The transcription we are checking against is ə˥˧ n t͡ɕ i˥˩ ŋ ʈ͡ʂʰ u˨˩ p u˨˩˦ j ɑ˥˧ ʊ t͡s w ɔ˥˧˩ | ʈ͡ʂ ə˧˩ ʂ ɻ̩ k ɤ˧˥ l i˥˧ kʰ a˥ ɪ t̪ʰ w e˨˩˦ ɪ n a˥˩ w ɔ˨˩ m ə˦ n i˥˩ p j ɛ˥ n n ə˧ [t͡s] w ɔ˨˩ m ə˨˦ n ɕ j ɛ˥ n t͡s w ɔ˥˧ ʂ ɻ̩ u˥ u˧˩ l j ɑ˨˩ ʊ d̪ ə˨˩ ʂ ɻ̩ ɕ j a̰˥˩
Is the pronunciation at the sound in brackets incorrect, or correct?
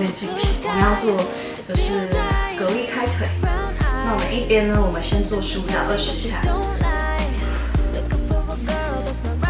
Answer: incorrect